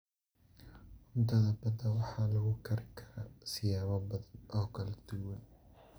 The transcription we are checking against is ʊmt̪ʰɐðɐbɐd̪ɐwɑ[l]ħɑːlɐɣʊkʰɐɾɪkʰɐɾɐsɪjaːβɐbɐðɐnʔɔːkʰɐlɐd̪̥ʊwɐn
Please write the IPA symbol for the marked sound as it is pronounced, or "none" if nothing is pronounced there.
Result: none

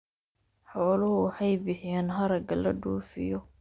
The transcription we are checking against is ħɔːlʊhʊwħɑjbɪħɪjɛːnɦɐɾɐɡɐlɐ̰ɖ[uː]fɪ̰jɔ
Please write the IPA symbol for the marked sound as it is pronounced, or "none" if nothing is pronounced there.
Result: uː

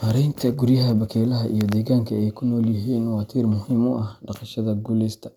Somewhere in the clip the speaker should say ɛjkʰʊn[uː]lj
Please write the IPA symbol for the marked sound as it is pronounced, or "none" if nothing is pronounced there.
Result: ɔː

